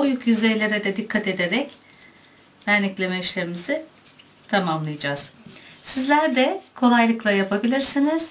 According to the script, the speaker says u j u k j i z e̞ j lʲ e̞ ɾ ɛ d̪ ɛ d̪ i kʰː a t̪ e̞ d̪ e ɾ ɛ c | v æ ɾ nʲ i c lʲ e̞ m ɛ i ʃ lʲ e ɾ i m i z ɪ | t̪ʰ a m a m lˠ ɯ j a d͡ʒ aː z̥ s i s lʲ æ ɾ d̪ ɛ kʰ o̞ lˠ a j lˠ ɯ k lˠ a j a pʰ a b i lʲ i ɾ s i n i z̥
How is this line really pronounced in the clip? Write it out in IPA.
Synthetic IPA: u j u k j y z e̞ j lʲ e̞ ɾ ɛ d̪ ɛ d̪ i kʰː a t̪ e̞ d̪ e ɾ ɛ c | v æ ɾ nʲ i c lʲ e̞ m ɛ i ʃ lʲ e ɾ i m i z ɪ | t̪ʰ a m a m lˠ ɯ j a d͡ʒ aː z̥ s i z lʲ æ ɾ d̪ ɛ kʰ o̞ lˠ a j lˠ ɯ k lˠ a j a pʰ a b i lʲ i ɾ s i n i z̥